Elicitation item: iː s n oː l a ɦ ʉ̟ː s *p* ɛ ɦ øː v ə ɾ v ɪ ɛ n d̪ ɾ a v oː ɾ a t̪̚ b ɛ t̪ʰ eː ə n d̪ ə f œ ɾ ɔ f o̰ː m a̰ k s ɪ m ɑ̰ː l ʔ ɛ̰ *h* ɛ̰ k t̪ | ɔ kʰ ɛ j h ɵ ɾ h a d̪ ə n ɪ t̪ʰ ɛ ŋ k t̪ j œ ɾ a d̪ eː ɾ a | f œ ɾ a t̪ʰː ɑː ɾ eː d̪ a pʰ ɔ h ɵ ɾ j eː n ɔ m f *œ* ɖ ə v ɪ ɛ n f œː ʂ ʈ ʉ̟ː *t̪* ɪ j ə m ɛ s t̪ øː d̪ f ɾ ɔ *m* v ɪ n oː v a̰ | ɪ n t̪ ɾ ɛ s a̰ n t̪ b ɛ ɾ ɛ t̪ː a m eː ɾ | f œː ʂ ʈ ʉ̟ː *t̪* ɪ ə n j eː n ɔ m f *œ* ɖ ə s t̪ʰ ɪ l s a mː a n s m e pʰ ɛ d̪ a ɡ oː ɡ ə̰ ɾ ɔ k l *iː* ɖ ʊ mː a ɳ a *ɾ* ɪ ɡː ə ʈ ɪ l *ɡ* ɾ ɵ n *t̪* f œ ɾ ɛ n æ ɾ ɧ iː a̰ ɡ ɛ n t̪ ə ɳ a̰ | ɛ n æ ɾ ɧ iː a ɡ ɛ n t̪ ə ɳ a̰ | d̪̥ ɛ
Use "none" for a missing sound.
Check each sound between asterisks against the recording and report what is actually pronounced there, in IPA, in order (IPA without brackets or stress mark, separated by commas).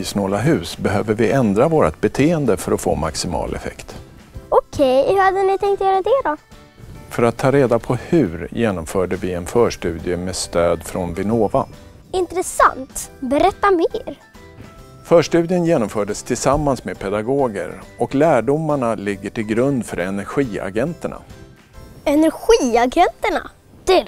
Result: b, f, œː, d̪, n, d̪, œː, æː, l, ɡ, d̪